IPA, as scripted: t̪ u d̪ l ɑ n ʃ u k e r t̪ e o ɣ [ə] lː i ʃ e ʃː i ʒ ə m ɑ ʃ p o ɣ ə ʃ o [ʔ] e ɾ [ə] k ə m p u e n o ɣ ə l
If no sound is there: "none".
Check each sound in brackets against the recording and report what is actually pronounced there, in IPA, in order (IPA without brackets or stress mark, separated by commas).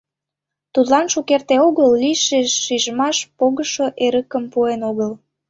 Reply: ə, ʔ, ə